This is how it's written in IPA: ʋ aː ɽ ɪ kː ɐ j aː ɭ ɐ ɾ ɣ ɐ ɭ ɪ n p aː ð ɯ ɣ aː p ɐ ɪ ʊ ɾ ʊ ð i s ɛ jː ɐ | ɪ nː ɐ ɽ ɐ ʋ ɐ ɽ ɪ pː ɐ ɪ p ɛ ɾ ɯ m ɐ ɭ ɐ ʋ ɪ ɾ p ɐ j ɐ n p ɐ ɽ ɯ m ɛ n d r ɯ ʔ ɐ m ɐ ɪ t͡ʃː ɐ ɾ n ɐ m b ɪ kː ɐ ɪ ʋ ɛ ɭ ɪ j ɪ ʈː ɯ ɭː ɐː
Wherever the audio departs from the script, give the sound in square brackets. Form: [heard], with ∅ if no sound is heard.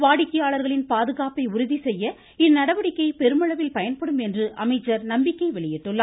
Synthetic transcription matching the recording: ʋ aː ɽ ɪ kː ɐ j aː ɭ ɐ ɾ ɣ ɐ ɭ ɪ n p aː ð ɯ ɣ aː p ɐ ɪ ʊ ɾ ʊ ð i s ɛ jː ɐ | ɪ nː ɐ ɽ ɐ ʋ ɐ ɽ ɪ [kː] ɐ ɪ p ɛ ɾ ɯ m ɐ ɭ ɐ ʋ ɪ [l] p ɐ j ɐ n p ɐ ɽ ɯ m ɛ n d r ɯ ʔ ɐ m ɐ ɪ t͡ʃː ɐ ɾ n ɐ m b ɪ kː ɐ ɪ ʋ ɛ ɭ ɪ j ɪ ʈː ɯ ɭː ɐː